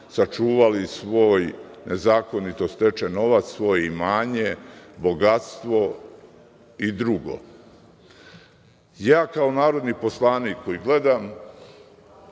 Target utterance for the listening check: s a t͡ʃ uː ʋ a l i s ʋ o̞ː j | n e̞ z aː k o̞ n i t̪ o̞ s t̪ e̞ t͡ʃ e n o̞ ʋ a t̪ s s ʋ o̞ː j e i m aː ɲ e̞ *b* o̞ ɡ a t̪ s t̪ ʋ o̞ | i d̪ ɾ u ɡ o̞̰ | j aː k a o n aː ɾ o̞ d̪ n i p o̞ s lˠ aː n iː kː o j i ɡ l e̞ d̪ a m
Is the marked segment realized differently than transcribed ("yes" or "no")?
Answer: no